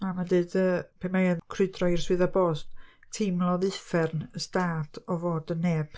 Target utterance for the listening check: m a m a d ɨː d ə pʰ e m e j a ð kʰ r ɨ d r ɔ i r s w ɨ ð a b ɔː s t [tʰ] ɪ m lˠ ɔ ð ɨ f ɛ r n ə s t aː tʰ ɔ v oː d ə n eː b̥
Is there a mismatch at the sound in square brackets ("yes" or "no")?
no